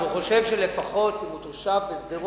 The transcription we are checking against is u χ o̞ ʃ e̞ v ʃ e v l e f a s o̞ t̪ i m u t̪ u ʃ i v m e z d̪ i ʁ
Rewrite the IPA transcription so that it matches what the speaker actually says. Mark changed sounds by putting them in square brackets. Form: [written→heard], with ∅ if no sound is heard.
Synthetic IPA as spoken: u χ o̞ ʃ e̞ v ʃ e [v→∅] l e f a [s→χ] o̞ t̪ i m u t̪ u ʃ [i→a] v [m→b] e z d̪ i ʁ